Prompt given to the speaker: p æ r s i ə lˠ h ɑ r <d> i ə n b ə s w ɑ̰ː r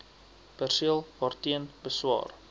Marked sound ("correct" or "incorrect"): incorrect